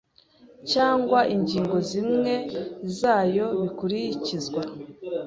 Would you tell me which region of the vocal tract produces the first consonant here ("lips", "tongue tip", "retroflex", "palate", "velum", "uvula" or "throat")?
palate